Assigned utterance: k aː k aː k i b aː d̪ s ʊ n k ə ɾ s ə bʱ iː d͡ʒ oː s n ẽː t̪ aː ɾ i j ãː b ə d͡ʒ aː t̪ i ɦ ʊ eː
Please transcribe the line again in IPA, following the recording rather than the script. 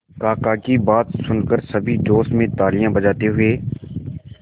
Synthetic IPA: k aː k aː k i b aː t̪ s ʊ n k ə ɾ s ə bʱ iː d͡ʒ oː s m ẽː t̪ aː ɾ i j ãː b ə d͡ʒ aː t̪ e ɦ ʊ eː